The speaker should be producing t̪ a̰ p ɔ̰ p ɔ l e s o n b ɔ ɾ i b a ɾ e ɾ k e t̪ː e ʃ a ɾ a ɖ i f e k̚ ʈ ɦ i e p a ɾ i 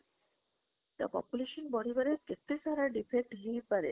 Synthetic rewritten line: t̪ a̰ p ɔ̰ p u l e ʃ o n b ɔ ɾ i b a ɾ e ɾ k e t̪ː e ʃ a ɾ a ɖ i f e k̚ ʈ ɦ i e p a ɾ e